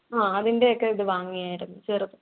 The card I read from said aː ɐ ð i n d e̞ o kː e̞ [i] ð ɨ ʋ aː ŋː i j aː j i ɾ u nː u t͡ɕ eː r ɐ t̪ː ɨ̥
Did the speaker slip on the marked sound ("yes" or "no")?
no